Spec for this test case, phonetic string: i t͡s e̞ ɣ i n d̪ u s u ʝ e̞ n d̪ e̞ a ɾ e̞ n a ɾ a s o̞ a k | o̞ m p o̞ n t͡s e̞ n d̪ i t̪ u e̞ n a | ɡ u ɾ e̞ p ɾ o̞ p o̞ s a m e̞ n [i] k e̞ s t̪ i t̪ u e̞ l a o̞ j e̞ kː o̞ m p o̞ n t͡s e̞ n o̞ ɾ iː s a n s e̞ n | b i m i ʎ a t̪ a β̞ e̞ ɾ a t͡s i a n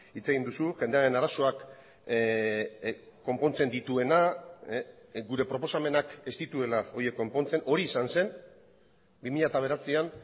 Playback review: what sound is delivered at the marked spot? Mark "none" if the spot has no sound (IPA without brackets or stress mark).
a